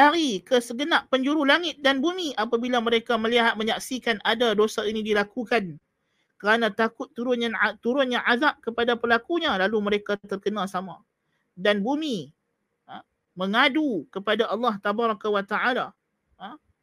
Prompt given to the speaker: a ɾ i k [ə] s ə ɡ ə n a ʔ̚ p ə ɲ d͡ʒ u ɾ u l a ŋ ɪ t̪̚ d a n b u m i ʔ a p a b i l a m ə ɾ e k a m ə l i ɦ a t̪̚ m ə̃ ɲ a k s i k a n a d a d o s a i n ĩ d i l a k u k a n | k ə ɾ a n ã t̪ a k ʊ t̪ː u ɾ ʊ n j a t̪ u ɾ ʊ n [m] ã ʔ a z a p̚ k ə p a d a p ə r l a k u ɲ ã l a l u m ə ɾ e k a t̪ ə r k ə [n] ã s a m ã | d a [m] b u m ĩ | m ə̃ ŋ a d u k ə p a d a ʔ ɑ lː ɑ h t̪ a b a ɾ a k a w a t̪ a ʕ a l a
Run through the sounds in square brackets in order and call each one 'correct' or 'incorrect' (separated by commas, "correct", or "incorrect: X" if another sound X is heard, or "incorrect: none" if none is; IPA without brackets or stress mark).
correct, incorrect: ɲ, correct, incorrect: n